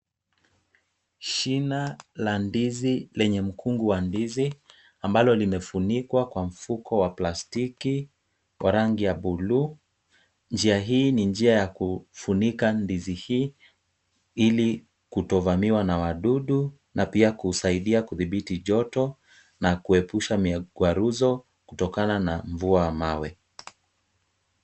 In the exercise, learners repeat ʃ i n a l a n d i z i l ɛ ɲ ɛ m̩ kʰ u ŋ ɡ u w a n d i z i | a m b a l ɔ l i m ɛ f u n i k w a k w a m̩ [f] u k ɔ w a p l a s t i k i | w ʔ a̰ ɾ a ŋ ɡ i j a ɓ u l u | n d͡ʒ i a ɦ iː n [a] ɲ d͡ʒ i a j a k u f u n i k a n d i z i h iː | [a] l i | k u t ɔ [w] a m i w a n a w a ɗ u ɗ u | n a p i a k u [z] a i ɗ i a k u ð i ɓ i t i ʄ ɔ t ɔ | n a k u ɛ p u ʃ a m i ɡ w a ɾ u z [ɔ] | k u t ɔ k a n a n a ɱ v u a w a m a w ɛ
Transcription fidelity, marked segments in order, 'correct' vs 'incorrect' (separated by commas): correct, incorrect, incorrect, incorrect, incorrect, correct